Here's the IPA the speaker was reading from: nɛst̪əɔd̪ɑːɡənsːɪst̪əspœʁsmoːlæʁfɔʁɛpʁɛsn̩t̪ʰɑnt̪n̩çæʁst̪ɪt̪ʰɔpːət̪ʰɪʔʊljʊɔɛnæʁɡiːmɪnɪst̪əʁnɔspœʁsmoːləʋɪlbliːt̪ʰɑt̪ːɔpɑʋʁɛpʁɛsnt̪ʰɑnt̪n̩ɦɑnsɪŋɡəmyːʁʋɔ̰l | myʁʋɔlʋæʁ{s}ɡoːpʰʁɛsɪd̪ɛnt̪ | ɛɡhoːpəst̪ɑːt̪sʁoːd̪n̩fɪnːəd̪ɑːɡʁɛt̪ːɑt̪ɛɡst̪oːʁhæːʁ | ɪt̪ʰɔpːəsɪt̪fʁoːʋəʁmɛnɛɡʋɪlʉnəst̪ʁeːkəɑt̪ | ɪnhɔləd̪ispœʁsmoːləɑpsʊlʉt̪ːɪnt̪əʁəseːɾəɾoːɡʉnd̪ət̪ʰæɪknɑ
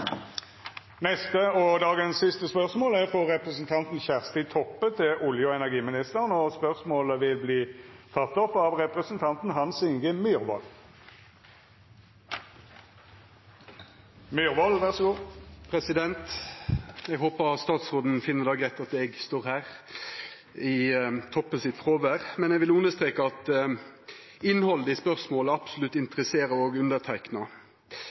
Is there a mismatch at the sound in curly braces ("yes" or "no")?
no